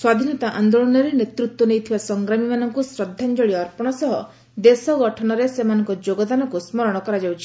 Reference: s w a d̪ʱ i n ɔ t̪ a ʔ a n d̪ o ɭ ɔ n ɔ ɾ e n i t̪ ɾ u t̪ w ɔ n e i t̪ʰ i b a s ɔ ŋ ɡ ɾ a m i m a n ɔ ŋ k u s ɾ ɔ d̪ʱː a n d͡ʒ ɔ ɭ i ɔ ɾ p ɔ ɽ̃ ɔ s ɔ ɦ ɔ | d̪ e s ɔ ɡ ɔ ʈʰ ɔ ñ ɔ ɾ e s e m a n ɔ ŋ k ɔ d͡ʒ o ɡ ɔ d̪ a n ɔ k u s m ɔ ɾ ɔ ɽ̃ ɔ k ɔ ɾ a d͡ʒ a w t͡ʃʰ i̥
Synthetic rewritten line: s w a d̪ʱ i n ɔ t̪ a ʔ a n d̪ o ɭ ɔ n ɔ ɾ e n e t̪ ɾ u t̪ w ɔ n e j t̪ʰ i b a s ɔ ŋ ɡ ɾ a m i m a n ɔ ŋ k u s ɾ ɔ d̪ʱː a n d͡ʒ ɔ ɭ i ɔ ɾ p ɔ ɽ̃ ɔ s ɔ ɦ ɔ | d̪ e s ɔ ɡ ɔ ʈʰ ɔ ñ ɔ ɾ e s e m a n ɔ ŋ k ɔ d͡ʒ o ɡ ɔ d̪ a n ɔ k u s m ɔ ɾ ɔ ɽ̃ ɔ k ɔ ɾ a d͡ʒ a w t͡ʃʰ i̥